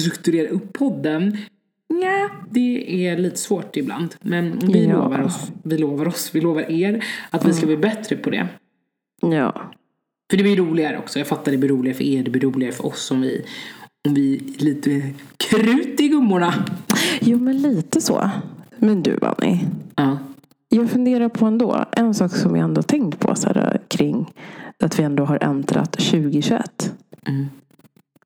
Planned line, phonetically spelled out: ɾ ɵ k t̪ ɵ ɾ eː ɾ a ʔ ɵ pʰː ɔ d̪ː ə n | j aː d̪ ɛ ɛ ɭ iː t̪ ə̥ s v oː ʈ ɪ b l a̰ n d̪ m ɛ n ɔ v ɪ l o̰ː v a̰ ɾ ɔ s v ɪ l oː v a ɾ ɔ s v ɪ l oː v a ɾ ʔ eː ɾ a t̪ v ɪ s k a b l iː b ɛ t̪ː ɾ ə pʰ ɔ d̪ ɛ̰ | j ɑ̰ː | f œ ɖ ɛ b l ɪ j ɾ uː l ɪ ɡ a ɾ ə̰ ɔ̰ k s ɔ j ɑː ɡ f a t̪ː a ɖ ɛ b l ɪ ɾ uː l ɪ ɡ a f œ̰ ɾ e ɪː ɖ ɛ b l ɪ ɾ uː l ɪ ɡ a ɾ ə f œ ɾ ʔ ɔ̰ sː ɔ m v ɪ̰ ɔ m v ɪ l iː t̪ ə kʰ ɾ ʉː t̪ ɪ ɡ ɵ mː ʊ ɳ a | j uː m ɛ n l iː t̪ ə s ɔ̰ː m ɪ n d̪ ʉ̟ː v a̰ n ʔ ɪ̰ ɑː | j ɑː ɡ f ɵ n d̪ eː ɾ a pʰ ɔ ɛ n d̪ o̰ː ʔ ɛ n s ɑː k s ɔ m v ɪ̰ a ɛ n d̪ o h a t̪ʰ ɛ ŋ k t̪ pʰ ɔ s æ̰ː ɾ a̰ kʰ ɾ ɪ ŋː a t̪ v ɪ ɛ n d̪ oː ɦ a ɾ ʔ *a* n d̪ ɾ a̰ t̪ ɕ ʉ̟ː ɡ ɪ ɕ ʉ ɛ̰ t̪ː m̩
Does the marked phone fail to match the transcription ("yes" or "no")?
yes